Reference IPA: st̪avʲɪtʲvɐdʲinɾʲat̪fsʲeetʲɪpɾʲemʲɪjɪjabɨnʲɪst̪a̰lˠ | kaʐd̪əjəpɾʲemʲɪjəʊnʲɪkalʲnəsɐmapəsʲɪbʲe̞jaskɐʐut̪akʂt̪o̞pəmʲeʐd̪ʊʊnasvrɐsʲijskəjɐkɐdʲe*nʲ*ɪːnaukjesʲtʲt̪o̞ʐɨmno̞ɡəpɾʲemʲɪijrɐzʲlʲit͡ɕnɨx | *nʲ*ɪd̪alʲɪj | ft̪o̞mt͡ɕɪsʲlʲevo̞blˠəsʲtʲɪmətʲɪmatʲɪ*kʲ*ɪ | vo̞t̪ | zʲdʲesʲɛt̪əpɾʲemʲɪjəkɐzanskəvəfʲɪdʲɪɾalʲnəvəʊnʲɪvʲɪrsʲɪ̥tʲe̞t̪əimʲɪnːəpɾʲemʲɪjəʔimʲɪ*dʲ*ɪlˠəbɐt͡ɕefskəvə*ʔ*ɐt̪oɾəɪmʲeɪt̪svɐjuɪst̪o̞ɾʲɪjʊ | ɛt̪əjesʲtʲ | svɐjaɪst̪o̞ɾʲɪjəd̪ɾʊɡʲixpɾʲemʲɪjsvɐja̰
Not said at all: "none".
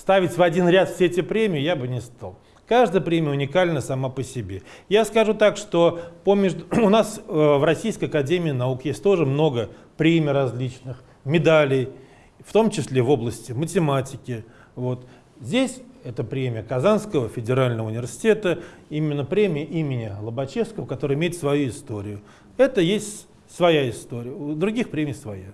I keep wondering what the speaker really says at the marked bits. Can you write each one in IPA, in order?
mʲ, mʲ, kʲ, nʲ, k

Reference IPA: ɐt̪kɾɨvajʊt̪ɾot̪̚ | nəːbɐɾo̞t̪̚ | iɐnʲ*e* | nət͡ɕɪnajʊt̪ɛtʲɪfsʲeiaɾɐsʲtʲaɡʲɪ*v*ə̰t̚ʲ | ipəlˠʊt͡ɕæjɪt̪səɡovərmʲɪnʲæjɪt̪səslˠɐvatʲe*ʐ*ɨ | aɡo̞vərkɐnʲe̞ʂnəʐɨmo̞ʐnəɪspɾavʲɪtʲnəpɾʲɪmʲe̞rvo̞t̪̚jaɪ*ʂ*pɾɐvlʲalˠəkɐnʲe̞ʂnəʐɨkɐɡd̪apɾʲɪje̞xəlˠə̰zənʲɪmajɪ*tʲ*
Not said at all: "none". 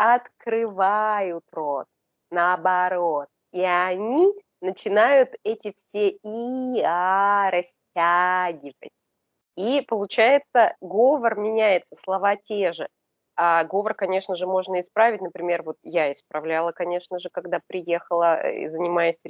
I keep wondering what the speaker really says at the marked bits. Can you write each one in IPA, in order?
i, v, ʐ, s, sʲ

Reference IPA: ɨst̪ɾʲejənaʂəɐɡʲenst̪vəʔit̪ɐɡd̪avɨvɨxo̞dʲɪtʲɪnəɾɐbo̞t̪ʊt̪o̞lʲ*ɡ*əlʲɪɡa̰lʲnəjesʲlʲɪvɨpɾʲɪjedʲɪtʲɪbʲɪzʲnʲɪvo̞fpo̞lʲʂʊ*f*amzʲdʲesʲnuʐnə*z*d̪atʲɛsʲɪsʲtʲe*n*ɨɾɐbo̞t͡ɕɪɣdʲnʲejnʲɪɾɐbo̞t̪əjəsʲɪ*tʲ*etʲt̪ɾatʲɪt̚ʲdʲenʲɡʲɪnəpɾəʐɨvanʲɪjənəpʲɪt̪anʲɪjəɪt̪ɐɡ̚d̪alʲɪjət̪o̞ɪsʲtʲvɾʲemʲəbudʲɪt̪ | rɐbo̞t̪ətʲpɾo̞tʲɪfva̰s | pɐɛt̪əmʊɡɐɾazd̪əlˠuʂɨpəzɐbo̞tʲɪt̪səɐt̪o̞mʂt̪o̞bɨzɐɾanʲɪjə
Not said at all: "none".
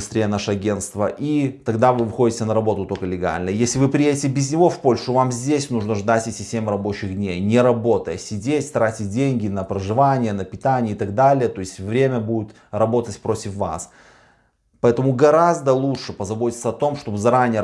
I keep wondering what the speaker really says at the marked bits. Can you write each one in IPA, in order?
k, v, ʐ, m, dʲ

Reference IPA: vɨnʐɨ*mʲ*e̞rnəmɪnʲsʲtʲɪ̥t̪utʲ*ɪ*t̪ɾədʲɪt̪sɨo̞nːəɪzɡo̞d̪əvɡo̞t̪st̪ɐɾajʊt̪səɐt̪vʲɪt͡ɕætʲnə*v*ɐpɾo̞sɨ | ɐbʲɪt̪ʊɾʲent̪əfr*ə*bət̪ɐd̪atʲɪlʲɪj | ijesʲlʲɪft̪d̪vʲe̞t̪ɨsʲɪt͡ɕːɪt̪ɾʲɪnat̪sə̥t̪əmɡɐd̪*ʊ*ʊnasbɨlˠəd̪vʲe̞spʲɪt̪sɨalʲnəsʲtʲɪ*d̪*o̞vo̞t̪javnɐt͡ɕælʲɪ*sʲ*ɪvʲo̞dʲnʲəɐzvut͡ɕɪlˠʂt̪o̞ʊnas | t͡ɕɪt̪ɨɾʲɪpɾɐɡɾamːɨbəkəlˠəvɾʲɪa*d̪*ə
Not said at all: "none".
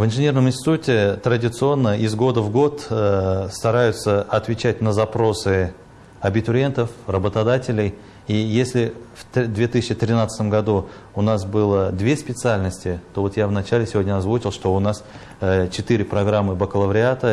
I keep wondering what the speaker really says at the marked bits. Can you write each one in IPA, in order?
nʲ, ɪ, z, ə, u, t̪, sʲ, t̪

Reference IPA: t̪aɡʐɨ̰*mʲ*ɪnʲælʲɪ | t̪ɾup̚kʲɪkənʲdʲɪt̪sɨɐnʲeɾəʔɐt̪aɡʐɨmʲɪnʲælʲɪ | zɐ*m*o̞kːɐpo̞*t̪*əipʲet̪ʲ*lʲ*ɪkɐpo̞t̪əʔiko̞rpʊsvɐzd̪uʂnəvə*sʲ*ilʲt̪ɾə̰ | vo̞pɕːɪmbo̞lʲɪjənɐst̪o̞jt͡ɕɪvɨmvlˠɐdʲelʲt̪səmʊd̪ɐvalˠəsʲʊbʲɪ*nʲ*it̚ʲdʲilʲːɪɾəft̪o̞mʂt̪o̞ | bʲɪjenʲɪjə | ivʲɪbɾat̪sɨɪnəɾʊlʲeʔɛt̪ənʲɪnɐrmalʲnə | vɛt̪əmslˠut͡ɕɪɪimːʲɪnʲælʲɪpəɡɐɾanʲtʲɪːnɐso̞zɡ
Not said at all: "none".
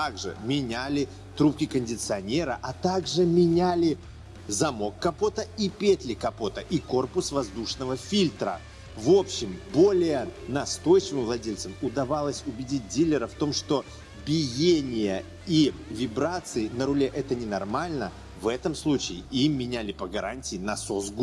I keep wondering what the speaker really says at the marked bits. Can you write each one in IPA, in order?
mʲ, m, t̪, lʲ, fʲ, dʲ

